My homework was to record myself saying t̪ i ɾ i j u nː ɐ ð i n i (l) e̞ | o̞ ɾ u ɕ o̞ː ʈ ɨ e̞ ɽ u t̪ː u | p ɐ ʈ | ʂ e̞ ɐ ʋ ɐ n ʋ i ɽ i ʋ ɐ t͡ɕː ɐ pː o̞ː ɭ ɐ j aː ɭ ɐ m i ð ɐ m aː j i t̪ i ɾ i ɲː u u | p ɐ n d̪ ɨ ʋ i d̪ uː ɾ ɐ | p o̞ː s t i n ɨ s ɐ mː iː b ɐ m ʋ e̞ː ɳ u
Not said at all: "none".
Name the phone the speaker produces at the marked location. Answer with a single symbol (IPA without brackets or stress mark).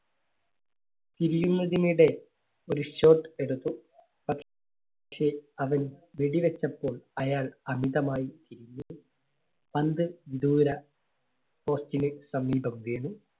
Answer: ɽ